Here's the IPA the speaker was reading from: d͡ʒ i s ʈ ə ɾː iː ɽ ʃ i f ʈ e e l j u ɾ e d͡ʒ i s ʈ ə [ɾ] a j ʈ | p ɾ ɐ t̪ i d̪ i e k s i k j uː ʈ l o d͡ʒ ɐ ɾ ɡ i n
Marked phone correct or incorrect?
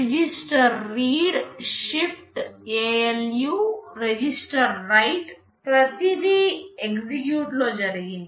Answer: incorrect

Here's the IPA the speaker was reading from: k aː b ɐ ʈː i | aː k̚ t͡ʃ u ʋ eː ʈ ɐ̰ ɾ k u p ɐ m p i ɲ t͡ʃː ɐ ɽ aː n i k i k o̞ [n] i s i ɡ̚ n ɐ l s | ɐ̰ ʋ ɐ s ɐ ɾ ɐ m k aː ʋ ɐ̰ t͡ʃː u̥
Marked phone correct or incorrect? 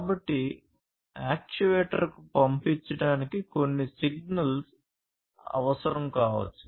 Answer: incorrect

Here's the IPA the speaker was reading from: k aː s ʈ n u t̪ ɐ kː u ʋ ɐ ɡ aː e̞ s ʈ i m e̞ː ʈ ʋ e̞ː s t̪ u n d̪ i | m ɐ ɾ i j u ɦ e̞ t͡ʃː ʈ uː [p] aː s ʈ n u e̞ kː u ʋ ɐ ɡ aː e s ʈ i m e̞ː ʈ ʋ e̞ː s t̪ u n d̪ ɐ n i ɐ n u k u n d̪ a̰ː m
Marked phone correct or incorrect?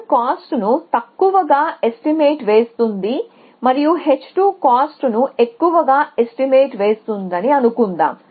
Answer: incorrect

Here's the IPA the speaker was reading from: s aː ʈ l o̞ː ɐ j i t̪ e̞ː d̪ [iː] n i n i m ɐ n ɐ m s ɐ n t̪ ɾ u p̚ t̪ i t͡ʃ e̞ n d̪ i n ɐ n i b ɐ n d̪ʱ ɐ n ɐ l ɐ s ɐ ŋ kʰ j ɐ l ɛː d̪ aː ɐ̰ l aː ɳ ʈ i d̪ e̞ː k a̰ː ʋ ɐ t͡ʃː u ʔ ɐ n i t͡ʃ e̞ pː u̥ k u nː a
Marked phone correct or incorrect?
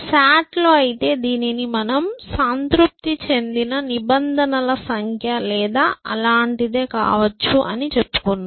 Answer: correct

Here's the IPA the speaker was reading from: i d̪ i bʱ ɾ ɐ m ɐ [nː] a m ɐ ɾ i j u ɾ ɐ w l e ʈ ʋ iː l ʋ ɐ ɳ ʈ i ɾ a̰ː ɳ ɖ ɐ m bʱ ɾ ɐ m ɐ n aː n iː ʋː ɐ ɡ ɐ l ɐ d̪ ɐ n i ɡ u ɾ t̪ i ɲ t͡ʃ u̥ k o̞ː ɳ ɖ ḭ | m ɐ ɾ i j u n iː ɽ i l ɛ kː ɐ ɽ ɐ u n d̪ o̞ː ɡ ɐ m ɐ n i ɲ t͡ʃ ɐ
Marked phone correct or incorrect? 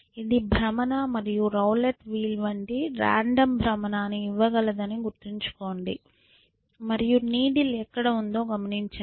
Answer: incorrect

